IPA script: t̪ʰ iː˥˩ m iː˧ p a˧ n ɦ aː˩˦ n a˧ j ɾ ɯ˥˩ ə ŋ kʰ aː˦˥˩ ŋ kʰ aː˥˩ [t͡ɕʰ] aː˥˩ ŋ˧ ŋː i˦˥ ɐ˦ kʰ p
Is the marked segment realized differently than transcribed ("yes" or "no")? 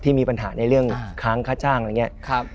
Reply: yes